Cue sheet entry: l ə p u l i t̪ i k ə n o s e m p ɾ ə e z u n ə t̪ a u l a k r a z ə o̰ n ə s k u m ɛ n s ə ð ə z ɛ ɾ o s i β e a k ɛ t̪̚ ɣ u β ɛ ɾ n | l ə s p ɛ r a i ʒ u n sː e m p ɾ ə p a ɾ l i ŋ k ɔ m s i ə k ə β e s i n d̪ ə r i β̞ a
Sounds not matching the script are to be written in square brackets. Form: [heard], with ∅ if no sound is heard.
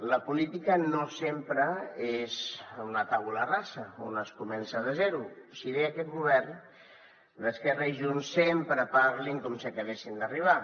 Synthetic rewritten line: l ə p u l i t̪ i k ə n o s e m p ɾ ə e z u n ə t̪ a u l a [∅] r a [s] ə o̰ n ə s k u m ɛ n s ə ð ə z ɛ ɾ [u] s i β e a k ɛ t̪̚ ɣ u β ɛ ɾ n | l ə s [k] ɛ r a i ʒ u n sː e m p ɾ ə p a ɾ l i ŋ k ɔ m s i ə k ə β e s i n d̪ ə r i β̞ a